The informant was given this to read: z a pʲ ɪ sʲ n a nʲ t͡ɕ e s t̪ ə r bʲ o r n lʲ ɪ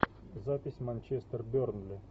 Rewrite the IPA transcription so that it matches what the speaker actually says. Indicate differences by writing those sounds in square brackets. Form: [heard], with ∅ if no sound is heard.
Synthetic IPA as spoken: z a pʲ ɪ sʲ [m] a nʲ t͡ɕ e s t̪ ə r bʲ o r n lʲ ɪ